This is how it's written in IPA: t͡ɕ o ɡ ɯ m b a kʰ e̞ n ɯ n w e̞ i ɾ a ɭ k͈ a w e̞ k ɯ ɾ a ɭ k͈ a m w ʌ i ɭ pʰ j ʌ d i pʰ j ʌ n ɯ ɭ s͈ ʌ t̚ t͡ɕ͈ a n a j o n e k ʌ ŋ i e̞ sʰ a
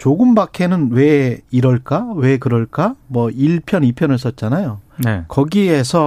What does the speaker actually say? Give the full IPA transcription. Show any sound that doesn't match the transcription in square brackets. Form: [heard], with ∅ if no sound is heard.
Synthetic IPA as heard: t͡ɕ o ɡ ɯ m b a kʰ e̞ n ɯ n w e̞ i ɾ [ʌ] ɭ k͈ a w e̞ k ɯ ɾ [ʌ] ɭ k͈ a m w ʌ i ɭ pʰ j ʌ [n] i pʰ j ʌ n ɯ ɭ s͈ ʌ t̚ t͡ɕ͈ a n a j o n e k ʌ [ɡ] i e̞ sʰ [ʌ]